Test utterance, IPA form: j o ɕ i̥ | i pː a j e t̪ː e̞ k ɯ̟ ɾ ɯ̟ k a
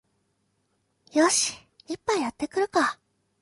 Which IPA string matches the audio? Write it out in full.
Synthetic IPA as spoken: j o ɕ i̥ | i pː a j a t̪ː e̞ k ɯ̟ ɾ ɯ̟ k a